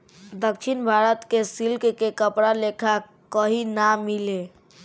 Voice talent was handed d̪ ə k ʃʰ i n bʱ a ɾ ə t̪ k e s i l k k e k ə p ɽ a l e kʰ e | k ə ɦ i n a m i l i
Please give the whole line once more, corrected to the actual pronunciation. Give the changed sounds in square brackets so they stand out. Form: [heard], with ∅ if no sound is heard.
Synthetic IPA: d̪ ə k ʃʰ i n bʱ a ɾ ə t̪ k e s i l k k e k ə p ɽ a l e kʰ [a] | k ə ɦ i n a m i l [e]